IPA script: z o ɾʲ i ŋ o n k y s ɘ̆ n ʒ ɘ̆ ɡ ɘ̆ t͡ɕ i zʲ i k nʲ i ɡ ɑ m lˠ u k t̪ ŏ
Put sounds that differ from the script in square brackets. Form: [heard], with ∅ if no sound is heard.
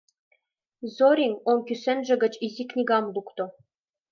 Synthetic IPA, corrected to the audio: z o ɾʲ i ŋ o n k y s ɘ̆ n ʒ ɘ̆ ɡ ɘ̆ t͡ɕ i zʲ i k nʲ i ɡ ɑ m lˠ u k t̪ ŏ